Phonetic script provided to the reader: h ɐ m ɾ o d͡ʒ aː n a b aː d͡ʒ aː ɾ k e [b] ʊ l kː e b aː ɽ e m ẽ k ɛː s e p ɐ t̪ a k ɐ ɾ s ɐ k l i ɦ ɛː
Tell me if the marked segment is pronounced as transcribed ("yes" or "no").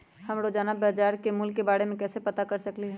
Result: no